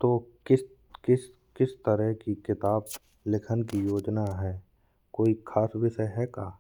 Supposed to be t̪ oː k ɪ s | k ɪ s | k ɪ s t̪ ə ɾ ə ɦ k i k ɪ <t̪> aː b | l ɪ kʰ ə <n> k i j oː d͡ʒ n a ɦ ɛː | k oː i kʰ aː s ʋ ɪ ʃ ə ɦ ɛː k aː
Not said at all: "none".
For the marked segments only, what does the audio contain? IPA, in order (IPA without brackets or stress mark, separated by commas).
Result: t̪, n